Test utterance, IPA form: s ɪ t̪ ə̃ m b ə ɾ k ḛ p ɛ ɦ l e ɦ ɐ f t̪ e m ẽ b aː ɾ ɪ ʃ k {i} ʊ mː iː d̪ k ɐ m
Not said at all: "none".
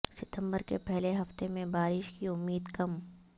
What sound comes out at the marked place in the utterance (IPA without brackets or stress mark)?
i